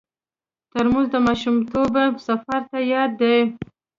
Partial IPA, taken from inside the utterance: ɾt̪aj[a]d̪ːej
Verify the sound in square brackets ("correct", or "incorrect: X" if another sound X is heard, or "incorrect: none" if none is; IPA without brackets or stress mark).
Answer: incorrect: ɑ